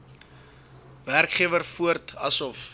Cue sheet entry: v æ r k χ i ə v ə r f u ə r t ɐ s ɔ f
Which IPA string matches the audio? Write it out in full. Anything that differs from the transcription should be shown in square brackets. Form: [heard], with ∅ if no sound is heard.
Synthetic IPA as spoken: v æ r k χ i ə v ə r f u ə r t ɐ s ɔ f